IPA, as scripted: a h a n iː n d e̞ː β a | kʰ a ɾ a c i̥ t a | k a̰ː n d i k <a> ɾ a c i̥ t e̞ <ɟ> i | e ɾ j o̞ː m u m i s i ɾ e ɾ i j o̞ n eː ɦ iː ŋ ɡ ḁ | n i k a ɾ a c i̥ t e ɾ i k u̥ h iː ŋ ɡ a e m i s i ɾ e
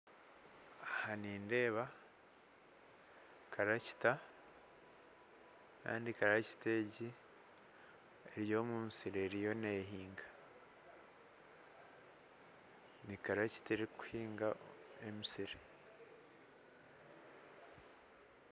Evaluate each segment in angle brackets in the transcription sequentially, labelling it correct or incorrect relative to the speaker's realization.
correct, correct

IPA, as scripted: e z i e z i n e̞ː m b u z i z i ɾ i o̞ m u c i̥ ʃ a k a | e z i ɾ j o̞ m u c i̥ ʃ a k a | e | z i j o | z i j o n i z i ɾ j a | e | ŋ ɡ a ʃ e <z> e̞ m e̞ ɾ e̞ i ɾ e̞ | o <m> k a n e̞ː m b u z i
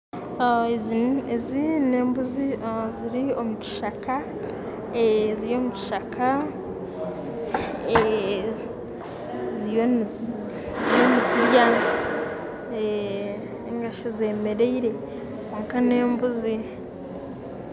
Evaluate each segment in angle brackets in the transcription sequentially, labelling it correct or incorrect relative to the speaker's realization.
correct, incorrect: ŋ

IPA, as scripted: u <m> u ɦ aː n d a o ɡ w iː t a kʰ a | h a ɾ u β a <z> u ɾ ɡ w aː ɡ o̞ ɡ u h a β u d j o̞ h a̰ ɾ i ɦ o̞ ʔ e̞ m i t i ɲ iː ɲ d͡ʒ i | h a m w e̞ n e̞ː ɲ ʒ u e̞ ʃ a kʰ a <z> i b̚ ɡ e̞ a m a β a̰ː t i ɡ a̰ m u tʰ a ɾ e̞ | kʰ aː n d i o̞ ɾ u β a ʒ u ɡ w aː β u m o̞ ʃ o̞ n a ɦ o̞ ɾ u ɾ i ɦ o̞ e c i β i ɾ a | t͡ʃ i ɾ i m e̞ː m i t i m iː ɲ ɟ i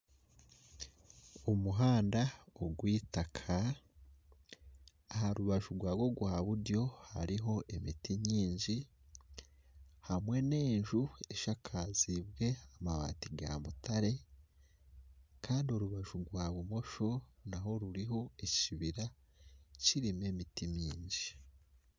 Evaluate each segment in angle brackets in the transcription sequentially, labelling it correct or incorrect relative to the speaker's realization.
correct, incorrect: ʒ, correct

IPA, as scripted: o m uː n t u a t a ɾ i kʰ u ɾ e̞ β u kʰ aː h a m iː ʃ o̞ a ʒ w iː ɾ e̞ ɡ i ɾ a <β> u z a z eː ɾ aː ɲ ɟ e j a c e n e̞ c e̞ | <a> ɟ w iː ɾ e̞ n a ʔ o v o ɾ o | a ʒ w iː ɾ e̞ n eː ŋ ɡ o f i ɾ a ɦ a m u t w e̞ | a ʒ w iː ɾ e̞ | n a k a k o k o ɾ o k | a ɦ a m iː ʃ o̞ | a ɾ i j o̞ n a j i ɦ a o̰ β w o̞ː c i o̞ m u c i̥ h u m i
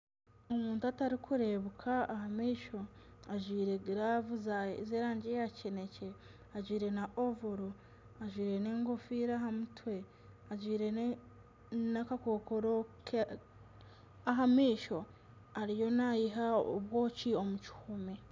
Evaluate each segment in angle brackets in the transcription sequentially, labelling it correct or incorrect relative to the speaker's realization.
incorrect: v, correct

